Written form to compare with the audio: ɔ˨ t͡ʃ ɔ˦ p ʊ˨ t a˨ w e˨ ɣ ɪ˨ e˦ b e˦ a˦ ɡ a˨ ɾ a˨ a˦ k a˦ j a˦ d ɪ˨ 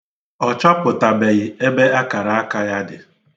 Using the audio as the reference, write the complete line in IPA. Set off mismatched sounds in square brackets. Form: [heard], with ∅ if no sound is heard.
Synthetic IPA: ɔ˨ t͡ʃ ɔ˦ p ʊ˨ t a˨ [b] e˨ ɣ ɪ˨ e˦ b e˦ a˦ [k] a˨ ɾ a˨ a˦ k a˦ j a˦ d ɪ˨